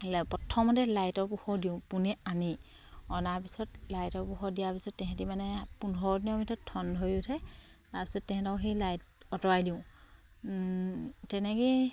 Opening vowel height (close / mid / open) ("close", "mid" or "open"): mid